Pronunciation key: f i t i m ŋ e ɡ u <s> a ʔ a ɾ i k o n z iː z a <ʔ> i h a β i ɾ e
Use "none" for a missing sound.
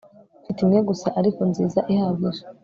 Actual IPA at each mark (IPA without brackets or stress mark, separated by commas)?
s, ʔ